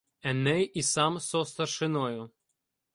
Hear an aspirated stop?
no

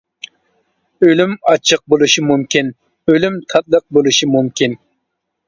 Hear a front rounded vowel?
yes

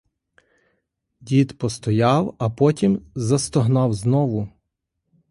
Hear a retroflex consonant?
no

